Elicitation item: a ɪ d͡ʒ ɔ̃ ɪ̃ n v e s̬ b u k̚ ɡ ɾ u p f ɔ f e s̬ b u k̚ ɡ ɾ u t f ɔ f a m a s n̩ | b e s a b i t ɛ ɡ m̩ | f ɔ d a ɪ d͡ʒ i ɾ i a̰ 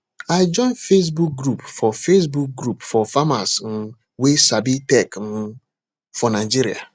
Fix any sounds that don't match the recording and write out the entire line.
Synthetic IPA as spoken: a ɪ d͡ʒ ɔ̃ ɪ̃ n f e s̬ b u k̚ ɡ ɾ u p f ɔ f e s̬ b u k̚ ɡ ɾ u p f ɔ f a m a s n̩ | w e s a b i t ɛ k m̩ | f ɔ n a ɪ d͡ʒ i ɾ i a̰

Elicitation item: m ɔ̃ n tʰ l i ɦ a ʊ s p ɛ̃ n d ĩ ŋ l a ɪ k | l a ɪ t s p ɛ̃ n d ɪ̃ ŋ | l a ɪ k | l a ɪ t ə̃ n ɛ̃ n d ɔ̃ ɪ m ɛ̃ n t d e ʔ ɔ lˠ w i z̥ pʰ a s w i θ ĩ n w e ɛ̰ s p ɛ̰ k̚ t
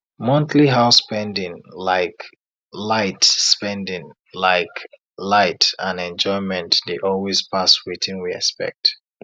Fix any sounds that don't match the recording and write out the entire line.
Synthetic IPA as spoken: m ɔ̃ n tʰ l i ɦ a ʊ s p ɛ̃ n d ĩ ŋ l a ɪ k | l a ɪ t s p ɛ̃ n d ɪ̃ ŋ | l a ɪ k | l a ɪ t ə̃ n ɛ̃ n d͡ʒ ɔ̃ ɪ m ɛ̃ n t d e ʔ ɔ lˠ w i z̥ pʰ a s w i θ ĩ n w i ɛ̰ s p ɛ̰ k̚ t

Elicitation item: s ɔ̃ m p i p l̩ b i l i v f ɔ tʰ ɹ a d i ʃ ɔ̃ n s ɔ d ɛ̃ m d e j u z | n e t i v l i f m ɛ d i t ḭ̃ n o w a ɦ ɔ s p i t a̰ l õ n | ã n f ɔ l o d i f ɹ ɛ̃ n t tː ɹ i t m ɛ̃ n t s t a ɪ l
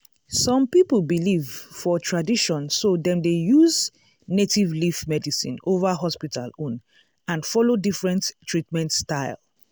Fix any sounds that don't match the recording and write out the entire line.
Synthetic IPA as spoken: s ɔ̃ m p i p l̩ b i l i v f ɔ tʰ ɹ a d i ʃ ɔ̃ n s o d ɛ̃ m d e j u z | n e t i v l i f m ɛ d i s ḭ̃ n o v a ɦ ɔ s p i t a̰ l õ n | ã n f ɔ l o d i f ɹ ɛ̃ n t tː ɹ i t m ɛ̃ n t s t a ɪ l

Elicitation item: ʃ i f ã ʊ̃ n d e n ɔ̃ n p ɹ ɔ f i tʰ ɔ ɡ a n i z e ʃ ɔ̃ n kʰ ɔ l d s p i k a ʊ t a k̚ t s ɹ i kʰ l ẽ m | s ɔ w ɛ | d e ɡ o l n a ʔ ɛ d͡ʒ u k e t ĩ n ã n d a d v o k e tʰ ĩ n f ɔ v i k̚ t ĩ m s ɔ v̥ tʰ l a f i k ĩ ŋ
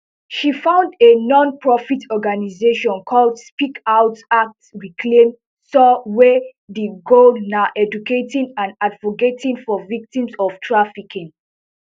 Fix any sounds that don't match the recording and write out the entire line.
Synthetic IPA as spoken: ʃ i f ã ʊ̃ n d e n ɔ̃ n p ɹ ɔ f i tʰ ɔ ɡ a n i z e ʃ ɔ̃ n kʰ ɔ l d s p i k a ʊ t a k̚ t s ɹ i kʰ l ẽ m | s ɔ w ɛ | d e ɡ o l n a ʔ ɛ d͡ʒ u k e t ĩ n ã n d a d v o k e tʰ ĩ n f ɔ v i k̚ t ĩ m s ɔ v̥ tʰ ɹ a f i k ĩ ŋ

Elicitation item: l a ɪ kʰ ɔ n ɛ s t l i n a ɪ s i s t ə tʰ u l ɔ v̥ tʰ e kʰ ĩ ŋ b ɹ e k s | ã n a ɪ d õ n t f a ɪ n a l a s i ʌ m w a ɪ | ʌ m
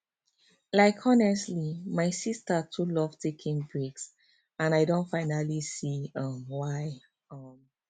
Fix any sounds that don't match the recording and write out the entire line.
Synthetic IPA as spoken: l a ɪ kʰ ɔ n ɛ s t l i m a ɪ s i s t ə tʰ u l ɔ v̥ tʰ e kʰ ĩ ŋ b ɹ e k s | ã n a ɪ d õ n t f a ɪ n a l i s i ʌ m w a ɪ | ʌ m

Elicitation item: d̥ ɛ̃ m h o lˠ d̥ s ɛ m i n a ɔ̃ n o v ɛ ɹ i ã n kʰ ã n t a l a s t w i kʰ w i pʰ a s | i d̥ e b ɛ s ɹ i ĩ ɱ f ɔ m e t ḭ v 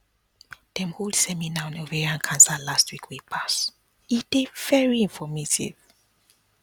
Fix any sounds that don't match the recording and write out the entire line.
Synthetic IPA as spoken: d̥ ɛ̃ m h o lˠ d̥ s ɛ m i n a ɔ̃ n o v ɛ ɹ i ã n kʰ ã n s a l a s t w i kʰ w i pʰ a s | i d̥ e v ɛ ɹ i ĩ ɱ f ɔ m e t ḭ v

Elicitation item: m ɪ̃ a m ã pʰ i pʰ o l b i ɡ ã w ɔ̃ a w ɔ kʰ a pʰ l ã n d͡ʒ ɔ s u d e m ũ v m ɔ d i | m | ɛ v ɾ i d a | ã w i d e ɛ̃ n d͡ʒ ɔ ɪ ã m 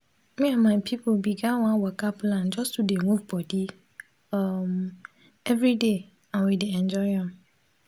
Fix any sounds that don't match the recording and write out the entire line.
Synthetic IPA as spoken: m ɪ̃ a m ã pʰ i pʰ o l b i ɡ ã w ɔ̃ a w ɔ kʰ a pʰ l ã n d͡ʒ ɔ s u d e m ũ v b ɔ d i | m | ɛ v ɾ i d e | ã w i d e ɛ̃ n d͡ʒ ɔ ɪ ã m

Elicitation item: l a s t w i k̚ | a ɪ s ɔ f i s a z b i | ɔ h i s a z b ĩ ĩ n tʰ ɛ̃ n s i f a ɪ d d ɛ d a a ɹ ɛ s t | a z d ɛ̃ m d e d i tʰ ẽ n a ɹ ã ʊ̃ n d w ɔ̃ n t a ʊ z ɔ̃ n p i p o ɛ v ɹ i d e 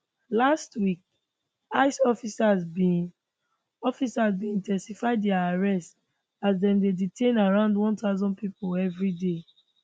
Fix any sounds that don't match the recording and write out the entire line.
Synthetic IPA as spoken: l a s t w i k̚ | a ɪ s ɔ f i s a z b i | ɔ f i s a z b ĩ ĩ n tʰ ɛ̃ n s i f a ɪ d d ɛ a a ɹ ɛ s t | a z d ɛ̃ m d e d i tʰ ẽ n a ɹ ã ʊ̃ n d w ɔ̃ n t a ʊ z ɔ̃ n p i p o ɛ v ɹ i d e

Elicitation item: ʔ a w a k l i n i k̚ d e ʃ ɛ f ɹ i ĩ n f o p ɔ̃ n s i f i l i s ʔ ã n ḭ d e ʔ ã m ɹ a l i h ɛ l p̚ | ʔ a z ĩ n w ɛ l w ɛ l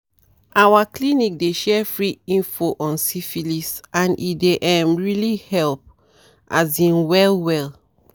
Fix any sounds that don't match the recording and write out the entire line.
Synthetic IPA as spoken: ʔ a w a k l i n i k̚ d e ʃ ɛ f ɹ i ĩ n f o ʔ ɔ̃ n s i f i l i s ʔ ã n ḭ d e ʔ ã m ɹ i l i h ɛ l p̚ | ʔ a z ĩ n w ɛ l w ɛ l

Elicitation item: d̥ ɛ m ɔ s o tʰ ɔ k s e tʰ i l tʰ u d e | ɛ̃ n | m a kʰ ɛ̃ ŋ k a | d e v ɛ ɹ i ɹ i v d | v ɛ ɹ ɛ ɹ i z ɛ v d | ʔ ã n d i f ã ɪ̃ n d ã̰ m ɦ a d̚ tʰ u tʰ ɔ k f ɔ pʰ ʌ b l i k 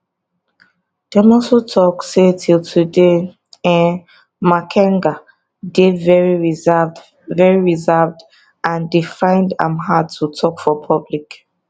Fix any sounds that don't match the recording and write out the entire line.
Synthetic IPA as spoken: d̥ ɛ m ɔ s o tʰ ɔ k s e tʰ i l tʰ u d e | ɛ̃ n | m a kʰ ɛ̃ ŋ ɡ a | d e v ɛ ɹ i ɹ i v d | v ɛ ɹ i ɹ i z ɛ v d | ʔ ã n d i f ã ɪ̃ n d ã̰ m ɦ a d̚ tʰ u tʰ ɔ k f ɔ pʰ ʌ b l i k

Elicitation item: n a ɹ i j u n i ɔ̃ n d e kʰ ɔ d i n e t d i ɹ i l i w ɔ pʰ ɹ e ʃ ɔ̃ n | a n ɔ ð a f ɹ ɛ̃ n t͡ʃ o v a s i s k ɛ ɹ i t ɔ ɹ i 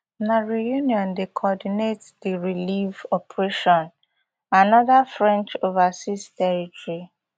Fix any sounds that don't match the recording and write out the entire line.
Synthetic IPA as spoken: n a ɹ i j u n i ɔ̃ n d e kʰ ɔ d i n e t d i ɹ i l i v ɔ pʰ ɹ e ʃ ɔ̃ n | a n ɔ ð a f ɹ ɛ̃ n t͡ʃ o v a s i s t ɛ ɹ i t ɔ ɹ i

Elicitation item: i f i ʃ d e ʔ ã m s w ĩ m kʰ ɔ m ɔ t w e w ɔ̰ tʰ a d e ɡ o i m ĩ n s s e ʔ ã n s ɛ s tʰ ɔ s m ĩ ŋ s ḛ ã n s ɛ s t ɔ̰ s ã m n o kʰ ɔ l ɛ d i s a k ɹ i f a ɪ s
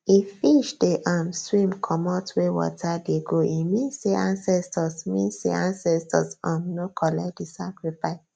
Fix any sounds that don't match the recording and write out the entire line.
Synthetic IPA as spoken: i f i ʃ d e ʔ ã m s w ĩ m kʰ ɔ m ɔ t w e w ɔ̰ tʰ a d e ɡ o i m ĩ n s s e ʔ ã n s ɛ s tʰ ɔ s m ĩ n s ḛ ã n s ɛ s t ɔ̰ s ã m n o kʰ ɔ l ɛ d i s a k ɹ i f a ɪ s

